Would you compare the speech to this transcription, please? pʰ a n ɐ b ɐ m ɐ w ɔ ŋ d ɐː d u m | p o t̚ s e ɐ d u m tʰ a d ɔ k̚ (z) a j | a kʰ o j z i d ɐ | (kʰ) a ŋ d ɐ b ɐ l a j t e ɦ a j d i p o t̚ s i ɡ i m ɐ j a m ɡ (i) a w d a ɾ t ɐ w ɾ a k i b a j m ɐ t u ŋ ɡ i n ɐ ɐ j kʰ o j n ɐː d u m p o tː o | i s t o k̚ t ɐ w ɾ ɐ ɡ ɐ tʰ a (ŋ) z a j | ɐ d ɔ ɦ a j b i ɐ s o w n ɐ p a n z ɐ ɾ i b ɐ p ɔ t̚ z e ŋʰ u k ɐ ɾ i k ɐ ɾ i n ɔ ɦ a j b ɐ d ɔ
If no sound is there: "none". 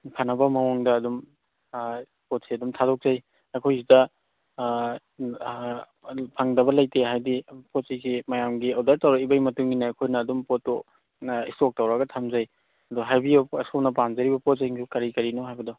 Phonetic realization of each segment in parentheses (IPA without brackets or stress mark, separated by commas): z, pʰ, i, m